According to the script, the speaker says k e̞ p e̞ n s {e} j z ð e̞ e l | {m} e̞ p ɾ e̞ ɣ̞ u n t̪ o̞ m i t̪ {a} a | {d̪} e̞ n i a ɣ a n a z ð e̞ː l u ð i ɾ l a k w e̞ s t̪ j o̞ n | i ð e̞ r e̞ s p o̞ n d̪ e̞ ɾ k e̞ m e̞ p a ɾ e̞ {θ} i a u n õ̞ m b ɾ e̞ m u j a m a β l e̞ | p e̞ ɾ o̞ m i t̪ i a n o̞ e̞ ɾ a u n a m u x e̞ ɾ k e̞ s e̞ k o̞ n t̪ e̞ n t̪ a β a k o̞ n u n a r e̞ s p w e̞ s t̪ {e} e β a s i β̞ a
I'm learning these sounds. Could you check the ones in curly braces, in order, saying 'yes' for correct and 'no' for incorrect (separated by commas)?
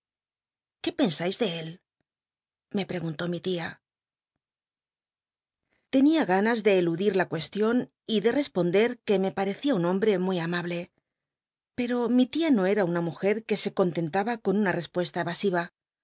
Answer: no, yes, no, no, yes, no